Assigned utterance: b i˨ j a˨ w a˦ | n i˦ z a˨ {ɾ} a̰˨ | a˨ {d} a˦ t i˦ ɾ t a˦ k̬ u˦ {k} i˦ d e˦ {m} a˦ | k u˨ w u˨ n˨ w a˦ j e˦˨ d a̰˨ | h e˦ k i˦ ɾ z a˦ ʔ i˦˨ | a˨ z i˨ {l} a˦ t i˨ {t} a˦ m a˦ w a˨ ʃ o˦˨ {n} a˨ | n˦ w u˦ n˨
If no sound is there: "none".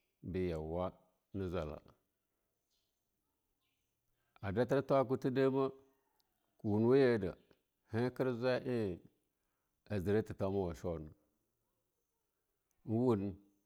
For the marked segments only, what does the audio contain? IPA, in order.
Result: l, d, t, m, ɾ, t, n

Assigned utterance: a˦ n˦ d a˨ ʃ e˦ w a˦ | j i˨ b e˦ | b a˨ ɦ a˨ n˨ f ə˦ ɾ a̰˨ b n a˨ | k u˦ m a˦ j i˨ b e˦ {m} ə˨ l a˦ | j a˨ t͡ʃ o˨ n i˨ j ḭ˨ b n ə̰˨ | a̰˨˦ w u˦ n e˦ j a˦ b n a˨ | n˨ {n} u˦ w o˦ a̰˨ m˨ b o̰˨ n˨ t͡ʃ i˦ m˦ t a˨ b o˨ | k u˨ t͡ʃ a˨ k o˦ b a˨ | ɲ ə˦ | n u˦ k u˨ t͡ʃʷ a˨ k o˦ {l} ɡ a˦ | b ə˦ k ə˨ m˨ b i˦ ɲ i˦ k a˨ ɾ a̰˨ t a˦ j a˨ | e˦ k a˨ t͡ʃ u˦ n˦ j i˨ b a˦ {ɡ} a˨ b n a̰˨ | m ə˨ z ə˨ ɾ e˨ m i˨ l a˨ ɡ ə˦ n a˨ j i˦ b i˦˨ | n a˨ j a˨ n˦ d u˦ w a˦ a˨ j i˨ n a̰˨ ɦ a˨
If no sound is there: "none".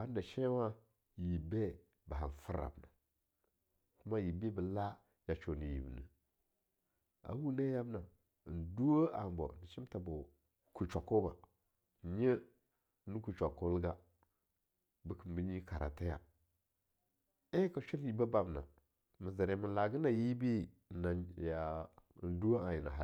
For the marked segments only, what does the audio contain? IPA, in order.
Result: b, d, l, b

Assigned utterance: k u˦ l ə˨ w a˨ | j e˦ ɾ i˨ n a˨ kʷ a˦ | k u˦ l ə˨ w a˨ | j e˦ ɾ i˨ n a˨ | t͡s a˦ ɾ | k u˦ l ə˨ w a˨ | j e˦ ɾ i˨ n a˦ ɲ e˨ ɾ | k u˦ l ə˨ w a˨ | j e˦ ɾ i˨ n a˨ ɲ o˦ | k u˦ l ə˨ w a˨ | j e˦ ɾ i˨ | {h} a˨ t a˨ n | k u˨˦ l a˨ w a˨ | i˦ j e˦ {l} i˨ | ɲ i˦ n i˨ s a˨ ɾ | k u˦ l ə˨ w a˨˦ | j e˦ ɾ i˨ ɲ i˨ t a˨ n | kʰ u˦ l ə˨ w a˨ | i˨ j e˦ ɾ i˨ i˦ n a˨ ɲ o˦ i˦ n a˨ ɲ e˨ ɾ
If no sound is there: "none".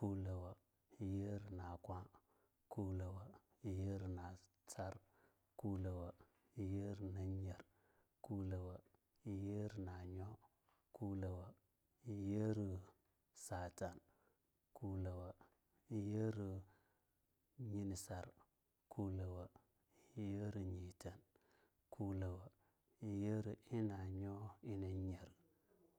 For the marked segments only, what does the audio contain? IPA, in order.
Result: s, ɾ

